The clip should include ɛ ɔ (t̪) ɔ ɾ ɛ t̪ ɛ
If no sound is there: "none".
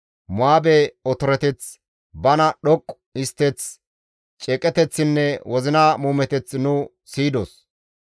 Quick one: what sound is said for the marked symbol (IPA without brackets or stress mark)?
t̪